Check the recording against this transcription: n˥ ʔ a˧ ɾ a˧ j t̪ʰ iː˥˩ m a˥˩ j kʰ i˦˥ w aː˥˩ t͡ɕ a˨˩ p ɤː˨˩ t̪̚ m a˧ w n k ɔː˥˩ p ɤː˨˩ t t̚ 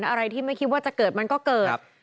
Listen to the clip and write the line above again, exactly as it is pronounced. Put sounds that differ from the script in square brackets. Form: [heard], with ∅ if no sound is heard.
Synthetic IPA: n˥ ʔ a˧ ɾ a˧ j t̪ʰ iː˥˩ m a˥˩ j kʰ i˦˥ w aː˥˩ t͡ɕ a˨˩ [k] ɤː˨˩ t̪̚ m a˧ [∅] n k ɔː˥˩ [k] ɤː˨˩ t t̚